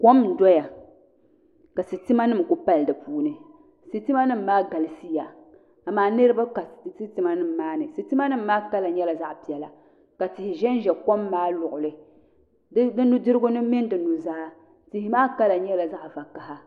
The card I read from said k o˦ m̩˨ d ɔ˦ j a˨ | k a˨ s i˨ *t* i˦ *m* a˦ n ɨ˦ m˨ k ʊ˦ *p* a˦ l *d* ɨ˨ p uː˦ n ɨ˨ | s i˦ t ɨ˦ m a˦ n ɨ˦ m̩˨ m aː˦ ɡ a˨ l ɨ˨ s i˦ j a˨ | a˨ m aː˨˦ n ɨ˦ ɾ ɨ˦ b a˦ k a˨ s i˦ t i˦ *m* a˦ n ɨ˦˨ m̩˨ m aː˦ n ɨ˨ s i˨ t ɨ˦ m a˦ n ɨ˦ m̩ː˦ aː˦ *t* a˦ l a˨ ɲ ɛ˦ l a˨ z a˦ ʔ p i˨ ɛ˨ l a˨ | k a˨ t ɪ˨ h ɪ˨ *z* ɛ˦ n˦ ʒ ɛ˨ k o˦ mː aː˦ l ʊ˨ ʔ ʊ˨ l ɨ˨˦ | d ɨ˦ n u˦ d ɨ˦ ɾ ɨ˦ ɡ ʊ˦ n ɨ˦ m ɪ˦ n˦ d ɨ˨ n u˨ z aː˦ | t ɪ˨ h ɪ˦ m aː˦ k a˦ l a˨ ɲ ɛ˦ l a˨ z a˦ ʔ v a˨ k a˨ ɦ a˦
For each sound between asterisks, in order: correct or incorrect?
correct, correct, correct, correct, correct, incorrect, incorrect

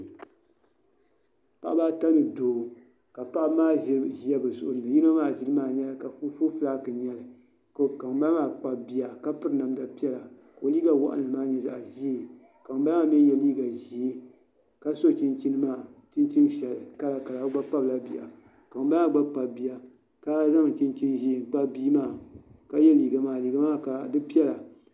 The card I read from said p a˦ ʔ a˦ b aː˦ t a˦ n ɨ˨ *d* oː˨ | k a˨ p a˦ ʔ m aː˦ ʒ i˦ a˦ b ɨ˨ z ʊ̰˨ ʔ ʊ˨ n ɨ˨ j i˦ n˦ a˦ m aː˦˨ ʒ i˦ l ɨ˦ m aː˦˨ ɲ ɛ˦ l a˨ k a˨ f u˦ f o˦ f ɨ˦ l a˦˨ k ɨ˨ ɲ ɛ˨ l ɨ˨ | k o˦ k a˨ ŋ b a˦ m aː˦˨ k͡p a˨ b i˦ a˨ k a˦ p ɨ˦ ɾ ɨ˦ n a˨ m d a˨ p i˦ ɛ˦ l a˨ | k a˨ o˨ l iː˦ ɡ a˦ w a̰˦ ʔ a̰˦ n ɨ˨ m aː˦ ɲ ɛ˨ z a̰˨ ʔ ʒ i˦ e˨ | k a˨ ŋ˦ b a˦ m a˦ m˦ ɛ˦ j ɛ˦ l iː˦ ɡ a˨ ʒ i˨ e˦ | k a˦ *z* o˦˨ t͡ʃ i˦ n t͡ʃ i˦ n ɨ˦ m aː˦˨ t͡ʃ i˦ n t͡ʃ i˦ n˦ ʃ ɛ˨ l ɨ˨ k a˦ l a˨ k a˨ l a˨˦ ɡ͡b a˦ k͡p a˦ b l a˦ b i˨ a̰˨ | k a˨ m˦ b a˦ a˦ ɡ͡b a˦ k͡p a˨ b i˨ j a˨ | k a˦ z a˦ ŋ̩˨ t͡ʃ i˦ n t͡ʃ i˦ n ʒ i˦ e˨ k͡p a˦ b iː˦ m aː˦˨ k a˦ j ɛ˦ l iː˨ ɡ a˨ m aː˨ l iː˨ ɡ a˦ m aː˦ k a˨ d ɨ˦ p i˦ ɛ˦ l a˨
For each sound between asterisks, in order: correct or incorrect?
correct, incorrect

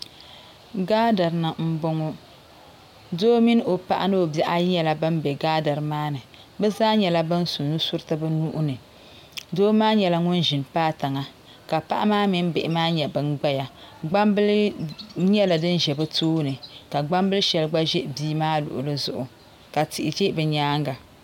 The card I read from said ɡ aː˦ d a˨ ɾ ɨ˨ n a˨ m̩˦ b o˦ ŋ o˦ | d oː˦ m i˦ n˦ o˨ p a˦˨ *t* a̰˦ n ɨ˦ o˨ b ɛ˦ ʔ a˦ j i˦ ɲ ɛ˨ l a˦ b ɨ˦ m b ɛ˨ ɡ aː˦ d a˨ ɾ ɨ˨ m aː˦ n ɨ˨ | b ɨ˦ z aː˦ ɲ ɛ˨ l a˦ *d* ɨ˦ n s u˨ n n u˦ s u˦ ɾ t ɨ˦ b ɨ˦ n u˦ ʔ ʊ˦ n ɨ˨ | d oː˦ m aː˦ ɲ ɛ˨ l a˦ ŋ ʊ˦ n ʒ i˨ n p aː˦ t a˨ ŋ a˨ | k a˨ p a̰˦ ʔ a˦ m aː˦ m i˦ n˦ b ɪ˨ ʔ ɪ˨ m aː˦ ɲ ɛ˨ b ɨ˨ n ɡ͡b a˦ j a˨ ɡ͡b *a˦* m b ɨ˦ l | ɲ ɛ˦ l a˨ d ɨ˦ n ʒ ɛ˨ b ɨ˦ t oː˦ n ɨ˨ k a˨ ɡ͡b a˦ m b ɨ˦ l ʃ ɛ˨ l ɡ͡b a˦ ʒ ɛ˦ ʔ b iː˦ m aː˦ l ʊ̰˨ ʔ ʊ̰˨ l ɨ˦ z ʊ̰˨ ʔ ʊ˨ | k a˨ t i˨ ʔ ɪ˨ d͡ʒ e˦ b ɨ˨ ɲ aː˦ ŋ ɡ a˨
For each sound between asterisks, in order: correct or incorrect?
incorrect, incorrect, correct

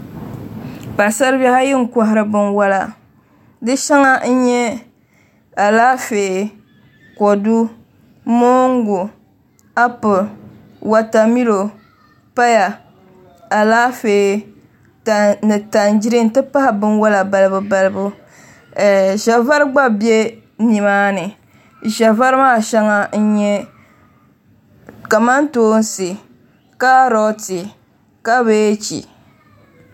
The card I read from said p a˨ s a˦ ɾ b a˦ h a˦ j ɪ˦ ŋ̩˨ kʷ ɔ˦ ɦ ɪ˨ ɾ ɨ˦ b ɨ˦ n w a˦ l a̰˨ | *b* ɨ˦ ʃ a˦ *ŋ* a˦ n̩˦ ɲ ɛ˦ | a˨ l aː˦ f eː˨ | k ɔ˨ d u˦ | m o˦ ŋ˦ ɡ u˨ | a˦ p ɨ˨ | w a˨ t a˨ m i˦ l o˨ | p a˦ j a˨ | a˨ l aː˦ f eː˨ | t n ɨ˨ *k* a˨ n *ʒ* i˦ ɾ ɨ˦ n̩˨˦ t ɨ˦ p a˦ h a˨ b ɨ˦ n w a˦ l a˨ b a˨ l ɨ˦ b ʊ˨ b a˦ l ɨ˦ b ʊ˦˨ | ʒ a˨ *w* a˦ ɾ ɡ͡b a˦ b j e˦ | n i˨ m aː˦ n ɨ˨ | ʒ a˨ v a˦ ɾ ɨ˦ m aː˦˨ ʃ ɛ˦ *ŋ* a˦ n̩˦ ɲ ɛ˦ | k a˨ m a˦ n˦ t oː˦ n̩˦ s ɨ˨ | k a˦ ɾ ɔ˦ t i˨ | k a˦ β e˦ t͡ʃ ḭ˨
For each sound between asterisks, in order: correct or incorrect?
incorrect, correct, incorrect, incorrect, incorrect, correct

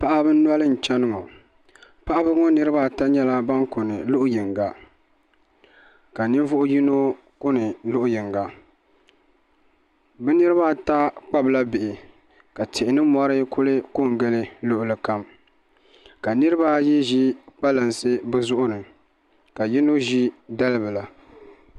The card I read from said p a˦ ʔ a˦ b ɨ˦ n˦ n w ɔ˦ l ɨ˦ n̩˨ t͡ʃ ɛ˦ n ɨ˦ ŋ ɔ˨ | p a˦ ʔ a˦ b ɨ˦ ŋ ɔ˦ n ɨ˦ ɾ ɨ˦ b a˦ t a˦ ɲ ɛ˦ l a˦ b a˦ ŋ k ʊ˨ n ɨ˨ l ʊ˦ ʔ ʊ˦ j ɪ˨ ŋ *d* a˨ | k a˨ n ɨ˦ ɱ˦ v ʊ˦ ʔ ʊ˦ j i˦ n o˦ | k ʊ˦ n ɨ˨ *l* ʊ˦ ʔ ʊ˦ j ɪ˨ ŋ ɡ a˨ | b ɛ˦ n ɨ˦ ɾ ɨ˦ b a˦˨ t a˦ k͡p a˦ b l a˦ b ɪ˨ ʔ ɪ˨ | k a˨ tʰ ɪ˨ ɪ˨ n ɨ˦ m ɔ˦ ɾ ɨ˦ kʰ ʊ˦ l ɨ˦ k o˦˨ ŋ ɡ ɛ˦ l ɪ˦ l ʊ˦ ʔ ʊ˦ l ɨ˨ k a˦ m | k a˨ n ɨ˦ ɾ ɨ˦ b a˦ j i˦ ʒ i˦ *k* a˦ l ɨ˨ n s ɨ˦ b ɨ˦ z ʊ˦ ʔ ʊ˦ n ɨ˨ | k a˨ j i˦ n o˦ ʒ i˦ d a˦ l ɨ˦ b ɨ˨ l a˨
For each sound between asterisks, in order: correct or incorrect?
incorrect, correct, incorrect

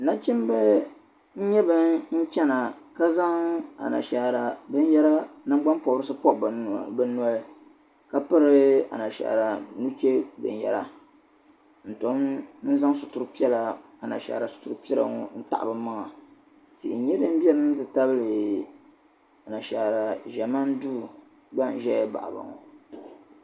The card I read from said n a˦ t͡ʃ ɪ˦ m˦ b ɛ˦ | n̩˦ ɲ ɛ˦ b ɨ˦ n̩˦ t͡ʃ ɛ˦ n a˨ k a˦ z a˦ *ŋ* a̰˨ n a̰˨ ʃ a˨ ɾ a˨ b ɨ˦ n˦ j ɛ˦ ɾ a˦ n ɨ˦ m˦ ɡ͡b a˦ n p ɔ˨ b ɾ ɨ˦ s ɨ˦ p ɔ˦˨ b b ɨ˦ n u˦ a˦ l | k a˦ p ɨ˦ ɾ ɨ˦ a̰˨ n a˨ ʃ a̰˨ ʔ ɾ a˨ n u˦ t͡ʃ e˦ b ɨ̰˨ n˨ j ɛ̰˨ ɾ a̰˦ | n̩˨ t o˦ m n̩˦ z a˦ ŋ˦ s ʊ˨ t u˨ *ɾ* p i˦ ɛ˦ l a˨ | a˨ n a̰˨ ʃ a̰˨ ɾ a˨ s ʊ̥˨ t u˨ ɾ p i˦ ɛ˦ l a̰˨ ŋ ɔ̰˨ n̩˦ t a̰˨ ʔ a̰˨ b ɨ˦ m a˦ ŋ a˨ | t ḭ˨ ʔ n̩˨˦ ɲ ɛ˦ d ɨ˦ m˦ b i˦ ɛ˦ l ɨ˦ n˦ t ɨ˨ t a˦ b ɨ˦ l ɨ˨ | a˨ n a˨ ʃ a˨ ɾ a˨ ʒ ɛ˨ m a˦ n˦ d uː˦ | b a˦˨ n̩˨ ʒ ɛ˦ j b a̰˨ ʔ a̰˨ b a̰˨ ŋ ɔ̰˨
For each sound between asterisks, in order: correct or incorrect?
correct, correct

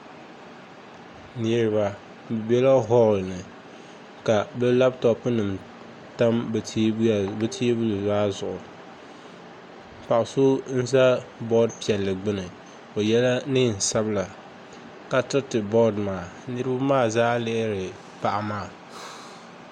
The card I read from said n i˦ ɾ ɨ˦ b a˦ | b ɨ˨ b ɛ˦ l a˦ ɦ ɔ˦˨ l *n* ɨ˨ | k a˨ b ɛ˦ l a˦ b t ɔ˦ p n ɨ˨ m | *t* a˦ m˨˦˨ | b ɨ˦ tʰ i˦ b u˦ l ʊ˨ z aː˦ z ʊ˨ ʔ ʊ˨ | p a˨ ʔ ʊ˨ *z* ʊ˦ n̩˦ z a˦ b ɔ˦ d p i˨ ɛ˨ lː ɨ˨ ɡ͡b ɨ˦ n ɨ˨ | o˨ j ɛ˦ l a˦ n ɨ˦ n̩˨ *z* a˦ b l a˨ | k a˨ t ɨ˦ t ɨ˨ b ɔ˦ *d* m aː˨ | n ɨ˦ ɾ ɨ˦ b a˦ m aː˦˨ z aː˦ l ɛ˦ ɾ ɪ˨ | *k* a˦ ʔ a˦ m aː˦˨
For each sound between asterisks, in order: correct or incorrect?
correct, correct, incorrect, incorrect, correct, incorrect

